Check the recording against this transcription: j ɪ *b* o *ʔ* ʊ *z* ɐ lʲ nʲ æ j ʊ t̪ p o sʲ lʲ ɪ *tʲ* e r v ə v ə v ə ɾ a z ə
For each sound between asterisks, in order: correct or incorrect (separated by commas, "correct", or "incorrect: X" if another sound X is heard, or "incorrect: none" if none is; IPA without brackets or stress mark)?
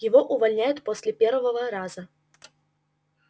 incorrect: v, correct, incorrect: v, incorrect: pʲ